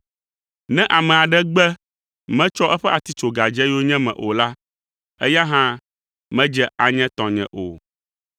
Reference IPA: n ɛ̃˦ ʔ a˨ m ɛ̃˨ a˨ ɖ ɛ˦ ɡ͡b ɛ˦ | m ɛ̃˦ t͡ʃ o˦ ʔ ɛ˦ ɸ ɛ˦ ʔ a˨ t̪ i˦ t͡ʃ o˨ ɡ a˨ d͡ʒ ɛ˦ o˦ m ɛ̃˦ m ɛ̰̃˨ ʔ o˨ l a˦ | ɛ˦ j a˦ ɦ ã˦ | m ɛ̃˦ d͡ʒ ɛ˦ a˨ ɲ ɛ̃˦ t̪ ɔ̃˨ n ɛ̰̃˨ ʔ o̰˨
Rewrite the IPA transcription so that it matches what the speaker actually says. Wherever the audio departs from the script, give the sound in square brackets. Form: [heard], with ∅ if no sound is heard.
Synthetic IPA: n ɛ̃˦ ʔ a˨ m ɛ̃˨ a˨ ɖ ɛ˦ ɡ͡b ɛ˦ | m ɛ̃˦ t͡ʃ [ɔ˦] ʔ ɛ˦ ɸ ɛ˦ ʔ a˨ t̪ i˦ t͡ʃ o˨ ɡ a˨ d͡ʒ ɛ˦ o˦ [ɲ] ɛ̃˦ m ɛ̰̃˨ ʔ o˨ l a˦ | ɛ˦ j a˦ ɦ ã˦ | m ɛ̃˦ d͡ʒ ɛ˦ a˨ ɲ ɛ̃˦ t̪ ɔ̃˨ [ɲ] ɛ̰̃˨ ʔ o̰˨